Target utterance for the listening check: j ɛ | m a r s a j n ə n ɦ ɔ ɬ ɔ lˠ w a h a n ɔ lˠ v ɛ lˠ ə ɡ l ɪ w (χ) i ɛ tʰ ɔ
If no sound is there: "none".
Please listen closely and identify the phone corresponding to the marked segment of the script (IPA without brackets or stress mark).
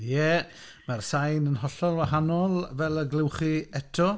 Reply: χ